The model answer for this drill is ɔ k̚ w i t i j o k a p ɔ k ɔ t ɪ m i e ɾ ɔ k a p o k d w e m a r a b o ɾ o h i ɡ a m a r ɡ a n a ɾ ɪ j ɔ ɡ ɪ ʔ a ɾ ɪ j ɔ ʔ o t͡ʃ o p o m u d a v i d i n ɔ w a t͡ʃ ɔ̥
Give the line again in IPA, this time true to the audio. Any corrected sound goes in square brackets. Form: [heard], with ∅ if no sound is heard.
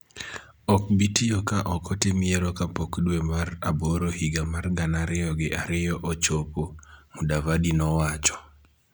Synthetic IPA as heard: ɔ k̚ [b] i t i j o k a [ʔ] ɔ k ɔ t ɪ m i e ɾ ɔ k a p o k d w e m a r a b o ɾ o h i ɡ a m a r ɡ a n a ɾ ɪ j ɔ ɡ ɪ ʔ a ɾ ɪ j ɔ ʔ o t͡ʃ o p o m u d a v [a] d i n ɔ w a t͡ʃ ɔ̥

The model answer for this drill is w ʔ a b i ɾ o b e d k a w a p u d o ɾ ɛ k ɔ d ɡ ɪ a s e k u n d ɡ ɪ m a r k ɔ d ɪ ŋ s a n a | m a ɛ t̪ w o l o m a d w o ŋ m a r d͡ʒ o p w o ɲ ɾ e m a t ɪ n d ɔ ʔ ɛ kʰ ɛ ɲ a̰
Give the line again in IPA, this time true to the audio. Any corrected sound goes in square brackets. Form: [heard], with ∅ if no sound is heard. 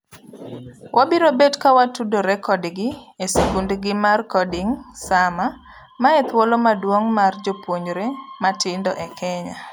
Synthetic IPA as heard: w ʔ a b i ɾ o b e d k a w a [t] u d o ɾ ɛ k ɔ d ɡ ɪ [e] s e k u n d ɡ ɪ m a r k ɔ d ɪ ŋ s a [m] a | m a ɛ t̪ w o l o m a d w o ŋ m a r d͡ʒ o p w o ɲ ɾ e m a t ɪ n d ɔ ʔ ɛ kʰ ɛ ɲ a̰

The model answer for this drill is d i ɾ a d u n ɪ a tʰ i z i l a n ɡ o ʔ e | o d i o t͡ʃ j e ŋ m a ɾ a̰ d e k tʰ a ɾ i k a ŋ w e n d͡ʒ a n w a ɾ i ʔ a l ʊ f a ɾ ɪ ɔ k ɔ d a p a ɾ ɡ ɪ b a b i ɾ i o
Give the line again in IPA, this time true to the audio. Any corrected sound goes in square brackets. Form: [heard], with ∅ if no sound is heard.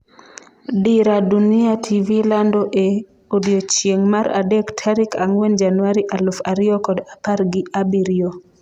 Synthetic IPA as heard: d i ɾ a d u n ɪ a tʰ i [v] i l a n [d] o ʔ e | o d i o t͡ʃ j e ŋ m a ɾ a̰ d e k tʰ a ɾ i k a ŋ w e n d͡ʒ a n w a ɾ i ʔ a l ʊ f a ɾ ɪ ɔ k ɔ d a p a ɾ ɡ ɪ [∅] a b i ɾ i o

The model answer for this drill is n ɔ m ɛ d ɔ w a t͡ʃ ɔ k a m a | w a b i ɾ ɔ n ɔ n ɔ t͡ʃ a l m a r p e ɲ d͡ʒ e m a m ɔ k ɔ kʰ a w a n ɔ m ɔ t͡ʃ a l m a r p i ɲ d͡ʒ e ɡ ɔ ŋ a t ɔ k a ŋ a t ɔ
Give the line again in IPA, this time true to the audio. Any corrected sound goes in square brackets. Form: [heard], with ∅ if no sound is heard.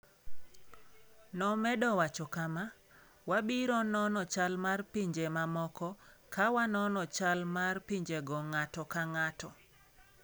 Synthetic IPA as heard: n ɔ m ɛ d ɔ w a t͡ʃ ɔ k a m a | w a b i ɾ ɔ n ɔ n ɔ t͡ʃ a l m a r p [i] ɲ d͡ʒ e m a m ɔ k ɔ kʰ a w a n ɔ [n] ɔ t͡ʃ a l m a r p i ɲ d͡ʒ e ɡ ɔ ŋ a t ɔ k a ŋ a t ɔ

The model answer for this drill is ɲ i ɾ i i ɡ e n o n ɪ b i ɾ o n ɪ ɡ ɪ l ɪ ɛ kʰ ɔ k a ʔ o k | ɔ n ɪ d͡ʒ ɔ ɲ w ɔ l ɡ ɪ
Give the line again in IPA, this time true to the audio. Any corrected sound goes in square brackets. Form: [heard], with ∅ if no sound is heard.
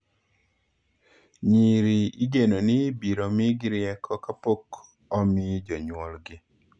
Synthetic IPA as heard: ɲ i ɾ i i ɡ e n o n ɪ b i ɾ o [m] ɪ ɡ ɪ [ɾ] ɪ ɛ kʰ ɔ k a [p] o k | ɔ [m] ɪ d͡ʒ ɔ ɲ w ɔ l ɡ ɪ

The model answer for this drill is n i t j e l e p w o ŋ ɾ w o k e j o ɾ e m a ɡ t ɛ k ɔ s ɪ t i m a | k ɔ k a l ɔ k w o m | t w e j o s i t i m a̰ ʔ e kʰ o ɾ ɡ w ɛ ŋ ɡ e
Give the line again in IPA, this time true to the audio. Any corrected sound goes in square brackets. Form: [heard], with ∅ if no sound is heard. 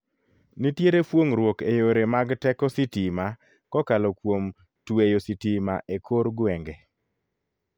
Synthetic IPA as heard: n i t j e [ɾ] e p w o ŋ ɾ w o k e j o ɾ e m a ɡ t ɛ k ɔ s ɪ t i m a | k ɔ k a l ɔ k w o m | t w e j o s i t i m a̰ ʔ e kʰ o ɾ ɡ w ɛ ŋ ɡ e

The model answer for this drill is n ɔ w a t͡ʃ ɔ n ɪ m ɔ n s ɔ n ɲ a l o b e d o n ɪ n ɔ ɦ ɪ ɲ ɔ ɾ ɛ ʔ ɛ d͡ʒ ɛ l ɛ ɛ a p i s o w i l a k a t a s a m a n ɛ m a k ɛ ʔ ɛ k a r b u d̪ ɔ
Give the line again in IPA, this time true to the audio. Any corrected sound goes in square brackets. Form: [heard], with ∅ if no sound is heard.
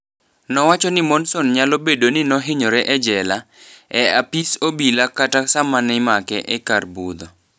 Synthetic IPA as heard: n ɔ w a t͡ʃ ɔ n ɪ m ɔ n s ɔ n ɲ a l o b e d o n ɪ n ɔ ɦ ɪ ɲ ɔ ɾ ɛ ʔ ɛ d͡ʒ ɛ l [a] ɛ a p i s o [b] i l a k a t a s a m a n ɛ m a k ɛ ʔ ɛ k a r b u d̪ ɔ

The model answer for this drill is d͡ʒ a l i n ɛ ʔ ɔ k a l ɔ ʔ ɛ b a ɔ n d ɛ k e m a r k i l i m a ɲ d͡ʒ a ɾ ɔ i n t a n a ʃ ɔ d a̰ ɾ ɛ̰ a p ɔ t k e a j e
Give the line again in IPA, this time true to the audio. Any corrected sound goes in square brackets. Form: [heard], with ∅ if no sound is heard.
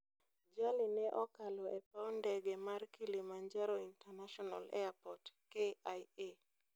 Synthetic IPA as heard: d͡ʒ a l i n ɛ ʔ ɔ k a l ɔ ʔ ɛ [p] a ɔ n d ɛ [ɡ] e m a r k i l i m a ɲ d͡ʒ a ɾ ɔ i n t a n a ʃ ɔ [n] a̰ [l] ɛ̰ a p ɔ t k e a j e

